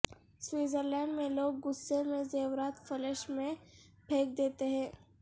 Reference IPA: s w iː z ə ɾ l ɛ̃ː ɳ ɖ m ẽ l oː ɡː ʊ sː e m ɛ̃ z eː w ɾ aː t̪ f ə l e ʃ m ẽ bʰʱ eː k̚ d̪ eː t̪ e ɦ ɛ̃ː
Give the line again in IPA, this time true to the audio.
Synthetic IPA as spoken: s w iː z ə ɾ l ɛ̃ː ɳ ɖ m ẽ l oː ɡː ʊ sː e m ẽ z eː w ɾ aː t̪ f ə l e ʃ m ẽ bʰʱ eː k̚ d̪ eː t̪ e ɦ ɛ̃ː